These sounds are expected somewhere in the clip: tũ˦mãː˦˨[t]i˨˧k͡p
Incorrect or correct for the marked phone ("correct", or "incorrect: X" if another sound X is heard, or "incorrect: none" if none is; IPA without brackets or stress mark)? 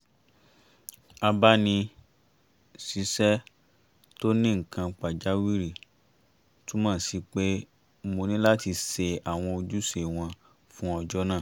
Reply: incorrect: s